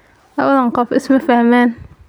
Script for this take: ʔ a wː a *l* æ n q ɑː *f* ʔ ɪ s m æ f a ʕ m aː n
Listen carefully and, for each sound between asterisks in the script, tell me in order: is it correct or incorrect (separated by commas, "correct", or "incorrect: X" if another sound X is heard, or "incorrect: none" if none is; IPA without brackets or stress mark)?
correct, correct